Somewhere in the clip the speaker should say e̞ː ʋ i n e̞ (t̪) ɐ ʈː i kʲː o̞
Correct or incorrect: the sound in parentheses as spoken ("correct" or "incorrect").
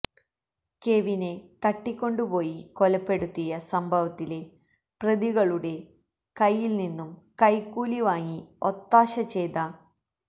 correct